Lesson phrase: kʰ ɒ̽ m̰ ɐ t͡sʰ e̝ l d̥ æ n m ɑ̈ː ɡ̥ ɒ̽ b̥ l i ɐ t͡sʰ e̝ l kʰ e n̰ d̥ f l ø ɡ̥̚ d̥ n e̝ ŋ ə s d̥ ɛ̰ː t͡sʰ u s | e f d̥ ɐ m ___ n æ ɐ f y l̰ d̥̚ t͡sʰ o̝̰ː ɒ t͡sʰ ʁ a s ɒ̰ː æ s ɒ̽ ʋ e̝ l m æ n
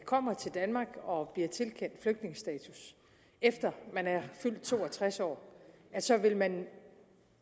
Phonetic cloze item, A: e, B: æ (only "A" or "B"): B